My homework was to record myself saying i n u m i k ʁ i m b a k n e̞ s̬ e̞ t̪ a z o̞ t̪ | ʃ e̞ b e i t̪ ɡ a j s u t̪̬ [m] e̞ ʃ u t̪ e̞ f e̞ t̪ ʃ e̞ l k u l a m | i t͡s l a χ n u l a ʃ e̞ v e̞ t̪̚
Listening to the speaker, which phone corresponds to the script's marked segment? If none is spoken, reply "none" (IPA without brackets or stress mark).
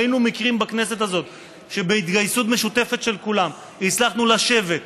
m